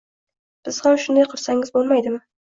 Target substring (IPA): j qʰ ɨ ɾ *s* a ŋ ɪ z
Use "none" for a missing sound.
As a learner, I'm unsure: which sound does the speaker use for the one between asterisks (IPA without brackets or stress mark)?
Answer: s